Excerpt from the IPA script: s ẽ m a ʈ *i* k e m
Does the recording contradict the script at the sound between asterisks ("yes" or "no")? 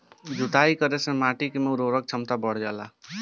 no